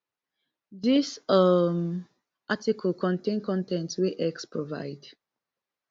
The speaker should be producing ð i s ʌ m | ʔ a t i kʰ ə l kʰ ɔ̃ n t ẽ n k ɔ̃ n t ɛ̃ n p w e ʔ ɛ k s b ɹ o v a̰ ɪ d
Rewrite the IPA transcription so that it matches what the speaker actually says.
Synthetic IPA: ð i s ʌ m | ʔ a t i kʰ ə l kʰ ɔ̃ n t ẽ n k ɔ̃ n t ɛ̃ n t w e ʔ ɛ k s p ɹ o v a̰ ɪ d